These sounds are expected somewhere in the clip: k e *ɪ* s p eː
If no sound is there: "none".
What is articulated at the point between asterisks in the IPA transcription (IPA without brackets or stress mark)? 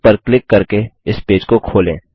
ɪ